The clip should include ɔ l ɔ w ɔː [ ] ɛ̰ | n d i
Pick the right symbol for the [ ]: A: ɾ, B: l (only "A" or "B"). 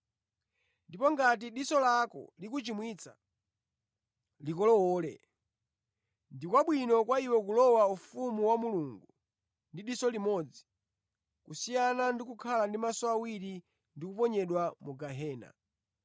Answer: B